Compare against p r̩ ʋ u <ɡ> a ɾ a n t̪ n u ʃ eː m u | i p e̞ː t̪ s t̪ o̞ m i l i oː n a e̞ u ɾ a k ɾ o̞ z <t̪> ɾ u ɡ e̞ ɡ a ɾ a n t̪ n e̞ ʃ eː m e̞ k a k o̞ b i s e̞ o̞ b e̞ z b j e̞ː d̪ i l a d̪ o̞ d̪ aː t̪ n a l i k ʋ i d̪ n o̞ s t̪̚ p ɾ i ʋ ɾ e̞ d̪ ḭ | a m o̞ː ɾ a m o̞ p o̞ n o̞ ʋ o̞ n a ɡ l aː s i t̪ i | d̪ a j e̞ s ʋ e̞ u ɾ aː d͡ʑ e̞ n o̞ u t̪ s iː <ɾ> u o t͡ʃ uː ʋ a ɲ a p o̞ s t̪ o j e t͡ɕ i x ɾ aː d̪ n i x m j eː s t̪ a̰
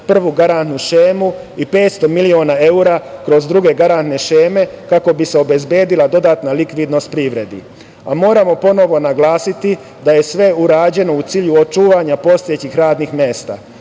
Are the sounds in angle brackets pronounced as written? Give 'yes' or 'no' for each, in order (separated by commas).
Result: yes, no, no